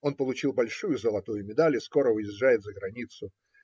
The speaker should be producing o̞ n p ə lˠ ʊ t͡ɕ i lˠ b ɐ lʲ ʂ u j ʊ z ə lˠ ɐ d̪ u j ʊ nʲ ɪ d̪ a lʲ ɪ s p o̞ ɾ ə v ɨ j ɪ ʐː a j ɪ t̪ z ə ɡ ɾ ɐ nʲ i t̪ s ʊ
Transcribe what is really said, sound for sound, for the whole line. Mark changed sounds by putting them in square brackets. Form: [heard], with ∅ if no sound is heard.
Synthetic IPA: o̞ n p ə lˠ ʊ t͡ɕ i lˠ b ɐ lʲ ʂ u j ʊ z ə lˠ ɐ [t̪] u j ʊ [mʲ] ɪ d̪ a lʲ ɪ s [k] o̞ ɾ ə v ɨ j ɪ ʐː a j ɪ t̪ z ə ɡ ɾ ɐ nʲ i t̪ s ʊ